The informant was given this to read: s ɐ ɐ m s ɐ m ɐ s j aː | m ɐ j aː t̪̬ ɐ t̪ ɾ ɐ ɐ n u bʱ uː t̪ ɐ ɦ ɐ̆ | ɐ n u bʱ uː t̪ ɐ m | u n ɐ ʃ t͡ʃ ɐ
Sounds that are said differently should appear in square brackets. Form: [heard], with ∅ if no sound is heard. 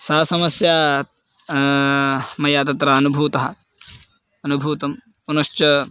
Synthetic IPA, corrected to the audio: s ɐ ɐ [∅] s ɐ m ɐ s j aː | m ɐ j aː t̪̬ ɐ t̪ ɾ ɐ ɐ n u bʱ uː t̪ ɐ ɦ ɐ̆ | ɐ n u bʱ uː t̪ ɐ m | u n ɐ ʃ t͡ʃ ɐ